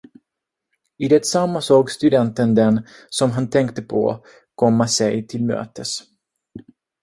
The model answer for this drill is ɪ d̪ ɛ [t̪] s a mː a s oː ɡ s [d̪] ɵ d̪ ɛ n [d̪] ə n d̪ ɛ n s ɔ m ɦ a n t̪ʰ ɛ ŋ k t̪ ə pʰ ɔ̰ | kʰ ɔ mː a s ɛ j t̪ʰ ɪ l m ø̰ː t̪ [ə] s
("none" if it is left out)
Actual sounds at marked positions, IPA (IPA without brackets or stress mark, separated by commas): t̪, t̪, t̪, ə